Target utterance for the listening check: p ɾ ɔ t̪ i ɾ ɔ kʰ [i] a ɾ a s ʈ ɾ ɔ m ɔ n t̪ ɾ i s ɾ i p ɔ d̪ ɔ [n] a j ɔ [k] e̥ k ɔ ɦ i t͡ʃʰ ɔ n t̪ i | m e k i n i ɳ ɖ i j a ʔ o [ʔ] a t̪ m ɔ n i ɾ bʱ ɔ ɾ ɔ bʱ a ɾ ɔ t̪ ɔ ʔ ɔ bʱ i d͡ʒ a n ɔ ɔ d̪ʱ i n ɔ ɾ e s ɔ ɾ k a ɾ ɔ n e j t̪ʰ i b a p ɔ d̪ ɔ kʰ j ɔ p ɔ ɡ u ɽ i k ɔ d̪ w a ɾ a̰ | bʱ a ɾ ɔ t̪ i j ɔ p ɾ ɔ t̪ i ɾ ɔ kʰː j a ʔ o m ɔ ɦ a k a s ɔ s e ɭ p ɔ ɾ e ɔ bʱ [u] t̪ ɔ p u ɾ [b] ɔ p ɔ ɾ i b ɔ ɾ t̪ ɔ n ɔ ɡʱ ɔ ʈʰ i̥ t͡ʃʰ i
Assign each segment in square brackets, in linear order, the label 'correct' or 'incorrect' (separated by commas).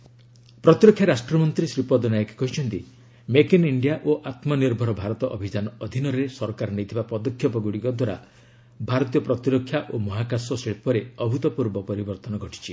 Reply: incorrect, correct, correct, correct, correct, correct